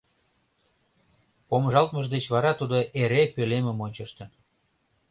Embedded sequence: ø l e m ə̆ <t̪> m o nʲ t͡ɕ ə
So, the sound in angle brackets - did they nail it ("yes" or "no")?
no